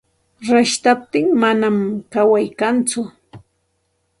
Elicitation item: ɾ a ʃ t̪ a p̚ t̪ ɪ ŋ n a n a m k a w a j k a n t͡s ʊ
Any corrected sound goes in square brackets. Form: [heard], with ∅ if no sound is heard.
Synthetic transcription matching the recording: ɾ a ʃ t̪ a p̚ t̪ ɪ ŋ [m] a n a m k a w a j k a n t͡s ʊ